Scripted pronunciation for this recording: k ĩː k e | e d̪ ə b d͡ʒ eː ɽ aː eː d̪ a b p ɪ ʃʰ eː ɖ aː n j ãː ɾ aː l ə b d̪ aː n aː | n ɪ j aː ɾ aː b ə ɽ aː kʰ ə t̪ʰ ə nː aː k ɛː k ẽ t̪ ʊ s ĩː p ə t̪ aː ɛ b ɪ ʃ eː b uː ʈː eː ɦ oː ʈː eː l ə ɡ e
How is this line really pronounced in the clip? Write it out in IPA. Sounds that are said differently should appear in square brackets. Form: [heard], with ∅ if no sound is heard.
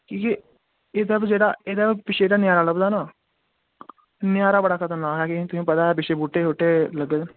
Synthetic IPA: k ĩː k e | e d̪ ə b d͡ʒ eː ɽ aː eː d̪ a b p ɪ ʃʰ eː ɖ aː n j [aː] ɾ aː l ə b d̪ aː n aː | n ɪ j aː ɾ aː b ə ɽ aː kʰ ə [t̪] ə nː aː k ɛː k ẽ t̪ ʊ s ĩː p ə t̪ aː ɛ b ɪ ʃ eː b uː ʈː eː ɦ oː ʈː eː l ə ɡ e